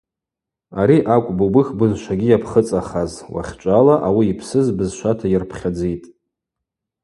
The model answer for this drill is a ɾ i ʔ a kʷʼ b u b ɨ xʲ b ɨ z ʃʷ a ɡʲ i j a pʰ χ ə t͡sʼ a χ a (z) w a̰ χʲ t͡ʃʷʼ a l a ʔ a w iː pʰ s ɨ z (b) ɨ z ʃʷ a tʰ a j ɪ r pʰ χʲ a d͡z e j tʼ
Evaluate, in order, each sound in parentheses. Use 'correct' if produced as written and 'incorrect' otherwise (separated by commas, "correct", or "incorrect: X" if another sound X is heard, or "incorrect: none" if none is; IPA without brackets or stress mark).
correct, correct